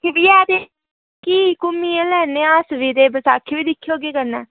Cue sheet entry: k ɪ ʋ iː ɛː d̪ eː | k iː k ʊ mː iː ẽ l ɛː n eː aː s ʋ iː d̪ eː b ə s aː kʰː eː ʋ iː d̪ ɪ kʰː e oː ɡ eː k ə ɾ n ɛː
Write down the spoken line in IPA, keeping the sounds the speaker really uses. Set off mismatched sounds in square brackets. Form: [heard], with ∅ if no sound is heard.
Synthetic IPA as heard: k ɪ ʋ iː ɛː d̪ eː | k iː k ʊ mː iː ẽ l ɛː n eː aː s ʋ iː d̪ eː b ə s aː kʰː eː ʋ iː d̪ ɪ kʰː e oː ɡ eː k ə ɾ n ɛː